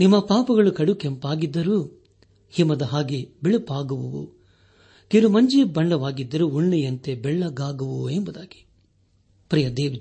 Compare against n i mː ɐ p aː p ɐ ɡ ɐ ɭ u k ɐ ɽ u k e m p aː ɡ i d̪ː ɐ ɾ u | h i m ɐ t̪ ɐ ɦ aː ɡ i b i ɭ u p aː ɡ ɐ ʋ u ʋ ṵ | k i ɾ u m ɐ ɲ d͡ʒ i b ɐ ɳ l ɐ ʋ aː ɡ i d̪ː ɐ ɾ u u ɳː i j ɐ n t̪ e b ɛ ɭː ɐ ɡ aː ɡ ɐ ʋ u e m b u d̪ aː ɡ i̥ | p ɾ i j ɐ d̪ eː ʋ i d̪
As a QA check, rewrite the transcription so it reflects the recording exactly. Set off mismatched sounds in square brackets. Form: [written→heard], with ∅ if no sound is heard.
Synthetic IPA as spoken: n i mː ɐ p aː p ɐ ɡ ɐ ɭ u k ɐ ɽ u k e m p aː ɡ i d̪ː ɐ ɾ u | h i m ɐ [t̪→d̪] ɐ ɦ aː ɡ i b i ɭ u p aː ɡ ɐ ʋ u ʋ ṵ | k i ɾ u m ɐ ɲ d͡ʒ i b ɐ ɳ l ɐ ʋ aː ɡ i d̪ː ɐ ɾ u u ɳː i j ɐ n t̪ e b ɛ ɭː ɐ ɡ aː ɡ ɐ ʋ u e m b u d̪ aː ɡ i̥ | p ɾ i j ɐ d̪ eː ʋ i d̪